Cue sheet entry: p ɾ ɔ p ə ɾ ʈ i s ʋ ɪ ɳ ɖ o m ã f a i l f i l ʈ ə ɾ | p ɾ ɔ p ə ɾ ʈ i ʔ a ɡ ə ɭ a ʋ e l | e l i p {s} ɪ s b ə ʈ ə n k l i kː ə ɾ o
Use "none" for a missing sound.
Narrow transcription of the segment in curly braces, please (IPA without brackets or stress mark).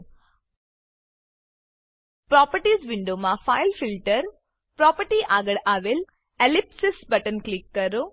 s